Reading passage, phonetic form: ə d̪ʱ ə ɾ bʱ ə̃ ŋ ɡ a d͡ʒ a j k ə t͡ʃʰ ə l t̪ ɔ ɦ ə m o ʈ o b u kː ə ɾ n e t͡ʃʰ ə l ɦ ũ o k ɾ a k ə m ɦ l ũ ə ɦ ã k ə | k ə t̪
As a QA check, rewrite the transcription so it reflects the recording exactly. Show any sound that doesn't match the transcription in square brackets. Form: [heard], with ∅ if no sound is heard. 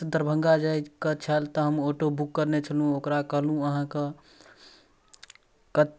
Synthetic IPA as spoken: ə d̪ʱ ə ɾ bʱ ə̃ ŋ ɡ a d͡ʒ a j k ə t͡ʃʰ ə l t̪ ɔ ɦ ə m o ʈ o b u kː ə ɾ n e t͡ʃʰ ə l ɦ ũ o k ɾ a k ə [∅] ɦ l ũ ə ɦ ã k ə | k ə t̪